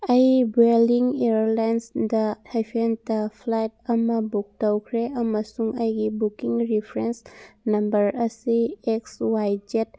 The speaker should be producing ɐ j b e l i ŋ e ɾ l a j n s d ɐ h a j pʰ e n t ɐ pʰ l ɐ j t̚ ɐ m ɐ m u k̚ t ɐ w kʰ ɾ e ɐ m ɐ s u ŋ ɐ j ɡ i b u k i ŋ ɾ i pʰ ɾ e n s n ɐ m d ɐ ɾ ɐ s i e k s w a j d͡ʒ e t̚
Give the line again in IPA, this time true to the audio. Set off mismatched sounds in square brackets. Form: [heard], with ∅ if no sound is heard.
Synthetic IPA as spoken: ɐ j b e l i ŋ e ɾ l a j n s d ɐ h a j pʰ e n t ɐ pʰ l [a] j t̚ ɐ m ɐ [b] u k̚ t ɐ w kʰ ɾ e ɐ m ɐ s u ŋ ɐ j ɡ i b u k i ŋ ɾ i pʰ ɾ e n s n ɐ m [b] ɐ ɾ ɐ s i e k s w a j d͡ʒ e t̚

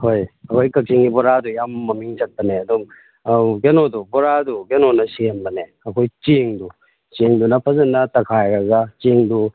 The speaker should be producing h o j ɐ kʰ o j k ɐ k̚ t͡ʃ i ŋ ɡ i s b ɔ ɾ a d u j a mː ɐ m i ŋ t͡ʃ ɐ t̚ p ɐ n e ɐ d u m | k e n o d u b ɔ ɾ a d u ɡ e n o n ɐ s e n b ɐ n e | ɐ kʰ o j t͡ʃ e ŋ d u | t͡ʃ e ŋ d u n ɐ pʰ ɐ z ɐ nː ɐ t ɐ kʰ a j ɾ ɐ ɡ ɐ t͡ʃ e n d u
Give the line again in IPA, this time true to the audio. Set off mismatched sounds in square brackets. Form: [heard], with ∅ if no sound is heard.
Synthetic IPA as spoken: h o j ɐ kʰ o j k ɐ k̚ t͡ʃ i ŋ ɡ i [∅] b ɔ ɾ a d u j a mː ɐ m i ŋ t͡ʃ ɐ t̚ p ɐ n e ɐ d u m | [ɡ] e n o d u b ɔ ɾ a d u ɡ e n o n ɐ s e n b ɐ n e | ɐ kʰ o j t͡ʃ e ŋ d u | t͡ʃ e ŋ d u n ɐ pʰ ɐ z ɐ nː ɐ t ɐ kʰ a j ɾ ɐ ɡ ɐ t͡ʃ e [ŋ] d u

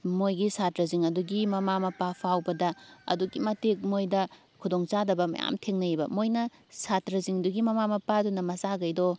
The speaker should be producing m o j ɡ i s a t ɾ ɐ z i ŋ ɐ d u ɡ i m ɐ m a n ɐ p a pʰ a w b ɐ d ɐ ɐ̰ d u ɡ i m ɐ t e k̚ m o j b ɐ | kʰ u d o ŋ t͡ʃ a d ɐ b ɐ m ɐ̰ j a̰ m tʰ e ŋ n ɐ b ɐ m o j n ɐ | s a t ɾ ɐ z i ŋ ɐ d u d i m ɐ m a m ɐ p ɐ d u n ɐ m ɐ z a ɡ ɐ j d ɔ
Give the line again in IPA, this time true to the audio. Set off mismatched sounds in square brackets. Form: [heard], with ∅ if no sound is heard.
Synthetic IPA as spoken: m o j ɡ i s a t ɾ ɐ z i ŋ ɐ d u ɡ i m ɐ m a [m] ɐ p a pʰ a w b ɐ d ɐ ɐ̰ d u ɡ i m ɐ t e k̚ m o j [d] ɐ | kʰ u d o ŋ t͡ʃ a d ɐ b ɐ m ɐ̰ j a̰ m tʰ e ŋ n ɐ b ɐ m o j n ɐ | s a t ɾ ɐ z i ŋ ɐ d u [ɡ] i m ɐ m a m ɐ p [a] d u n ɐ m ɐ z a ɡ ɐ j d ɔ

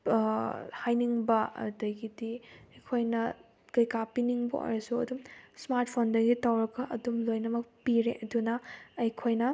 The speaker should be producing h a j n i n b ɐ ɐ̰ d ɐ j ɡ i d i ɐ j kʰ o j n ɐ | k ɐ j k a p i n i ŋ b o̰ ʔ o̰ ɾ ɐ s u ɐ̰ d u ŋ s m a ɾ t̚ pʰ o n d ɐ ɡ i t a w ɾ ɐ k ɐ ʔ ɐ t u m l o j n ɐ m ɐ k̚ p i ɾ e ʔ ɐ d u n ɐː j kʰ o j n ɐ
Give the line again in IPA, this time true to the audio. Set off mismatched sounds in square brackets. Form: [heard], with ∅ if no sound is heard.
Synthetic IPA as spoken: h a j n i [ŋ] b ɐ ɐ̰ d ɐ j ɡ i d i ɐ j kʰ o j n ɐ | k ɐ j k a p i n i ŋ b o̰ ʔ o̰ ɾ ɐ s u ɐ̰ d u [m] s m a ɾ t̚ pʰ o n d ɐ ɡ i t a w ɾ ɐ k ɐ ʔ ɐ [d] u m l o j n ɐ m ɐ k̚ p i ɾ e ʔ ɐ d u n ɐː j kʰ o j n ɐ

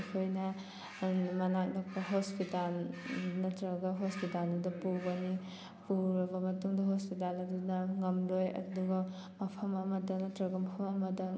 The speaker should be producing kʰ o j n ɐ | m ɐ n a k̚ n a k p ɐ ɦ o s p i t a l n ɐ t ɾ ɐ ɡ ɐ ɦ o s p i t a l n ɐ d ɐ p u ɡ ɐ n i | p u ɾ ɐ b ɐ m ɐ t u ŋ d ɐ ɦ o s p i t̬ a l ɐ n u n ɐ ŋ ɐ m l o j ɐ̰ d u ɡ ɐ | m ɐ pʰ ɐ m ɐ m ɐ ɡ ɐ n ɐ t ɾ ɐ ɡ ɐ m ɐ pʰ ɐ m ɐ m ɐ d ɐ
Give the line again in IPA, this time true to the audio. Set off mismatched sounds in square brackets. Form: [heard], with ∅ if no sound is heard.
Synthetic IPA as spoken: kʰ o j n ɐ | m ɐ n a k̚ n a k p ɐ ɦ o s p i t a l n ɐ t ɾ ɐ ɡ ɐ ɦ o s p i t a l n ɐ d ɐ p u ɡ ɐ n i | p u ɾ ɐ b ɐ m ɐ t u ŋ d ɐ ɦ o s p i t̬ a l ɐ [d] u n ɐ ŋ ɐ m l o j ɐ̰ d u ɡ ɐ | m ɐ pʰ ɐ m ɐ m ɐ [d] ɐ n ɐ t ɾ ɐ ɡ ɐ m ɐ pʰ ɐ m ɐ m ɐ d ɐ

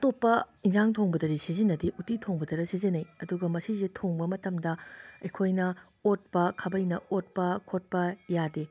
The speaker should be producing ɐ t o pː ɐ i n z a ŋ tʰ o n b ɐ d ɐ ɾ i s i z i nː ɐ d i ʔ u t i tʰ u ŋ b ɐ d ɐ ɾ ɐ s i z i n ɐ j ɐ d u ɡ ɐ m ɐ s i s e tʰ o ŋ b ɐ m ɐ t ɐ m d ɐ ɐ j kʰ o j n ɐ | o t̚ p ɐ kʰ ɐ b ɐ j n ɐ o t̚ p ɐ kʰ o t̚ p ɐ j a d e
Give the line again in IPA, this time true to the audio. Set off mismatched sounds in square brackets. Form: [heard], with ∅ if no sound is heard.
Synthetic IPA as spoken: ɐ t o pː ɐ i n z a ŋ tʰ o [ŋ] b ɐ d ɐ ɾ i s i z i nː ɐ d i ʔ u t i tʰ [o] ŋ b ɐ d ɐ ɾ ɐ s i z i n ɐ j ɐ d u ɡ ɐ m ɐ s i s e tʰ o ŋ b ɐ m ɐ t ɐ m d ɐ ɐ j kʰ o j n ɐ | o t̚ p ɐ kʰ ɐ b ɐ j n ɐ o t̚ p ɐ kʰ o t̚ p ɐ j a d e

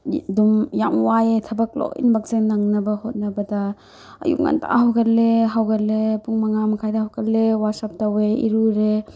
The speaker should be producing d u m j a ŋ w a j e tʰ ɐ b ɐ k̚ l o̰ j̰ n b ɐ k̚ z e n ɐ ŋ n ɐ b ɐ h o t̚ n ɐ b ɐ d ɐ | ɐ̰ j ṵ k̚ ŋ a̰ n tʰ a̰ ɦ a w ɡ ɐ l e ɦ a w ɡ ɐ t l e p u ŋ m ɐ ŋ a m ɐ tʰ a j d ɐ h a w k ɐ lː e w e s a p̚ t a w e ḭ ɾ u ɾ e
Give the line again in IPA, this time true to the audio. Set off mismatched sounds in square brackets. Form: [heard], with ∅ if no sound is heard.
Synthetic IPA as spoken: d u m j a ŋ w a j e tʰ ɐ b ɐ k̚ l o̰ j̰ n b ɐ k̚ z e n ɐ ŋ n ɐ b ɐ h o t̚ n ɐ b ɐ d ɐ | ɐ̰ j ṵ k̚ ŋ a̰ n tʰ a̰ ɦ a w ɡ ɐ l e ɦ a w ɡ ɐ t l e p u ŋ m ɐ ŋ a m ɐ [kʰ] a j d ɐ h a w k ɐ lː e w [a] s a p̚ t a w e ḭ ɾ u ɾ e

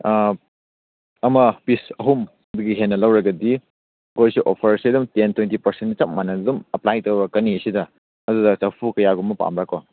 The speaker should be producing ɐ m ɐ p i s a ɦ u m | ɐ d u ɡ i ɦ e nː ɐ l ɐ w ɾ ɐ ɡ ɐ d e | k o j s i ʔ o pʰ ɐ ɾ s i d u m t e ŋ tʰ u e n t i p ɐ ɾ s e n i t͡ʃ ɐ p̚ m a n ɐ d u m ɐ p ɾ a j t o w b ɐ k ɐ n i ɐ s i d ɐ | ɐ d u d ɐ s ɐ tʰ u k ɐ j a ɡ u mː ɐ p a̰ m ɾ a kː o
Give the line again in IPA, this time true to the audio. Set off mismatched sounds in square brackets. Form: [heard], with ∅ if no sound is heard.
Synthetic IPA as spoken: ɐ m ɐ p i s [ɐ] ɦ u m | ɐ d u ɡ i ɦ e nː ɐ l ɐ w ɾ ɐ ɡ ɐ d [i] | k o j s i ʔ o pʰ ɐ ɾ s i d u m t e [n] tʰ [w] e n t i p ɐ ɾ s e n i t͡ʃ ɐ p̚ m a n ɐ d u m ɐ p [l] a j t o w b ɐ k ɐ n i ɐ s i d ɐ | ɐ d u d ɐ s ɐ [pʰ] u k ɐ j a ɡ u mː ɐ p a̰ m ɾ a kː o

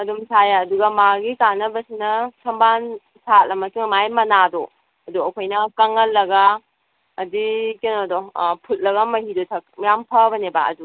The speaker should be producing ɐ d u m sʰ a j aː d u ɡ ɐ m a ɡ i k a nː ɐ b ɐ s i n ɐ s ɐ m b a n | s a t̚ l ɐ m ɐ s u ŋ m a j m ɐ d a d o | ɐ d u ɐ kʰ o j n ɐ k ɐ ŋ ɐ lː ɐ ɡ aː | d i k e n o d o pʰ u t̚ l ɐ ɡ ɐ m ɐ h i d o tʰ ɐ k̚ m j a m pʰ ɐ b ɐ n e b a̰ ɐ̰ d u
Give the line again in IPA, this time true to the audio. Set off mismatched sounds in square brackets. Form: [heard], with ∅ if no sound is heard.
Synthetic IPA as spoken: ɐ d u m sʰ a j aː d u ɡ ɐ m a ɡ i k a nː ɐ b ɐ s i n ɐ s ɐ m b a n | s a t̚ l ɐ m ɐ s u ŋ m a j m ɐ [n] a d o | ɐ d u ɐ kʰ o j n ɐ k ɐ ŋ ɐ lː ɐ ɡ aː | d i k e n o d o pʰ u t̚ l ɐ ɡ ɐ m ɐ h i d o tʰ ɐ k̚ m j a m pʰ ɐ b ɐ n e b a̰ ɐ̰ d u

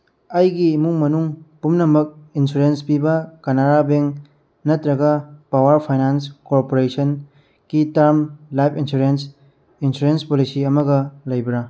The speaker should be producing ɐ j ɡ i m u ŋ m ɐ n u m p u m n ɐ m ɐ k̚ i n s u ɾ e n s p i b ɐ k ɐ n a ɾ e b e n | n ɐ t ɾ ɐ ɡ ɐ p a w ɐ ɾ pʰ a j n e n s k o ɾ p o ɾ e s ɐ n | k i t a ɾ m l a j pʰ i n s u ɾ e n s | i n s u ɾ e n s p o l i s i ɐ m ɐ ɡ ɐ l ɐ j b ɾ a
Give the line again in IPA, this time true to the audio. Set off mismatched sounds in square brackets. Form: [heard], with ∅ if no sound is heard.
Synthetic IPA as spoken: ɐ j ɡ i m u ŋ m ɐ n u [ŋ] p u m n ɐ m ɐ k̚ i n s u ɾ e n s p i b ɐ k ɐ n a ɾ [a] b e [ŋ] | n ɐ t ɾ ɐ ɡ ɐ p a w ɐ ɾ pʰ a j n [a] n s k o ɾ p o ɾ e s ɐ n | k i t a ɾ m l a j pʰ i n s u ɾ e n s | i n s u ɾ e n s p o l i s i ɐ m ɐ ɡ ɐ l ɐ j b ɾ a

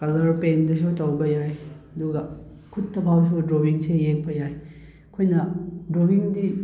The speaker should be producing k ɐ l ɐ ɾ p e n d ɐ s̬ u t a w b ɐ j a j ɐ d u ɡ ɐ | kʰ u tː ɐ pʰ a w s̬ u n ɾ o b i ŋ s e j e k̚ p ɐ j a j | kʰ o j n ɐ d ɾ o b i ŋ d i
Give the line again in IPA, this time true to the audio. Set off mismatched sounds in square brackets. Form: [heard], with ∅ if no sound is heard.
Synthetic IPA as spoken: k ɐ l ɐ ɾ p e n d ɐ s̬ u t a w b ɐ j a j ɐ d u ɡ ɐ | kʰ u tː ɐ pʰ a w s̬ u [d] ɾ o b i ŋ s e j e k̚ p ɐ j a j | kʰ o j n ɐ d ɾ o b i ŋ d i

